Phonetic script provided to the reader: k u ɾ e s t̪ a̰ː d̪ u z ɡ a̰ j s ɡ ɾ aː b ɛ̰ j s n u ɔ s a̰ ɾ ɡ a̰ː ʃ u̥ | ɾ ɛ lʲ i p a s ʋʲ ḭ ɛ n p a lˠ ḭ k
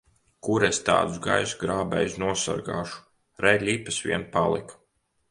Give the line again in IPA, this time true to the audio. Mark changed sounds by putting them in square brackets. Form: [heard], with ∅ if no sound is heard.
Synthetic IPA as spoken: k u ɾ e s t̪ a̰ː d̪ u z ɡ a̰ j s ɡ ɾ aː b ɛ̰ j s n u ɔ s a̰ ɾ ɡ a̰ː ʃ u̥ | ɾ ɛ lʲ i p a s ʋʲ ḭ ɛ n p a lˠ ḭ k